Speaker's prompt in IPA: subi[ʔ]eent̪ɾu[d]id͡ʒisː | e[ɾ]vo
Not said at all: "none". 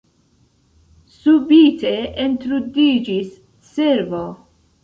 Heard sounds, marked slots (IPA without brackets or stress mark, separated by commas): t, d, ɾ